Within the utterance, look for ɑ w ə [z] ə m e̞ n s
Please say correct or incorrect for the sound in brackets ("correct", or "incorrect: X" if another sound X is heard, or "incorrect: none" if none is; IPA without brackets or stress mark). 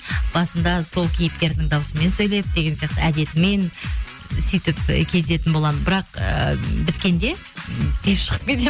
incorrect: s